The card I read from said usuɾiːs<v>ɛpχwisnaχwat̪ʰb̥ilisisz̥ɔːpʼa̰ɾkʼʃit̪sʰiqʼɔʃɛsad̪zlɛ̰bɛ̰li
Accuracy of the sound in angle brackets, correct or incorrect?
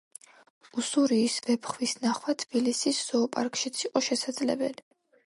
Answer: correct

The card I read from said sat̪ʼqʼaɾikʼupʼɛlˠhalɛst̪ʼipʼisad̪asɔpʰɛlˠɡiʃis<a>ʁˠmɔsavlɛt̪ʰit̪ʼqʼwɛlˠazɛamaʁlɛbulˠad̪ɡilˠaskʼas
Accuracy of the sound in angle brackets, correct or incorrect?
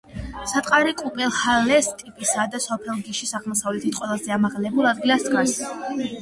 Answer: correct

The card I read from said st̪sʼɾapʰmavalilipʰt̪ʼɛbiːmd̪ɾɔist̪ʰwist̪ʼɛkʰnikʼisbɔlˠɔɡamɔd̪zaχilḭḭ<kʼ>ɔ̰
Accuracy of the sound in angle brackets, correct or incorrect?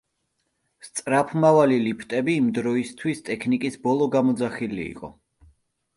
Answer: incorrect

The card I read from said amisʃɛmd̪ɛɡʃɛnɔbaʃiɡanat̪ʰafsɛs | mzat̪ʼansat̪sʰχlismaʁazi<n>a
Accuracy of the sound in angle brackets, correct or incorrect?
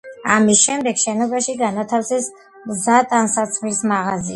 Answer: incorrect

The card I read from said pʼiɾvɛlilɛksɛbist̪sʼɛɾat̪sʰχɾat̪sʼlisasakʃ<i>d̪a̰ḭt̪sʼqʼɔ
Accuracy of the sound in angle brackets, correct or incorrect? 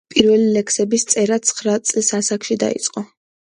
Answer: correct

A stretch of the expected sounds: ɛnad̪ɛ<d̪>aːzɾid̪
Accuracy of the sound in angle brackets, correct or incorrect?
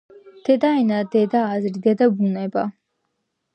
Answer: correct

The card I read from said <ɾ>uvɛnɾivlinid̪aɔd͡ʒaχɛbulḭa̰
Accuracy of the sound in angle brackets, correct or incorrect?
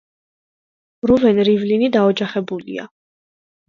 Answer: correct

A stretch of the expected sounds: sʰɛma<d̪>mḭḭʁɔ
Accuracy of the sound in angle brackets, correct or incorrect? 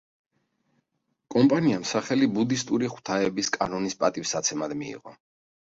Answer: correct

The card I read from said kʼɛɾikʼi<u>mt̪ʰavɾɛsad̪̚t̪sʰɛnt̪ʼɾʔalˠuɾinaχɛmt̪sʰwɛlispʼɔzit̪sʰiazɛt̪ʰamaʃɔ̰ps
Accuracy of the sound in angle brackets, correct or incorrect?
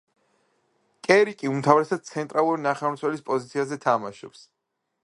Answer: correct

